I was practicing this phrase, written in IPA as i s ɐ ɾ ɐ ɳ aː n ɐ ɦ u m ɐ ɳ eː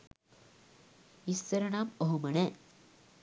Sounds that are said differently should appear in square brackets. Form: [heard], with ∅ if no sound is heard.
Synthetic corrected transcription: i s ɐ ɾ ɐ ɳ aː [m] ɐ ɦ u m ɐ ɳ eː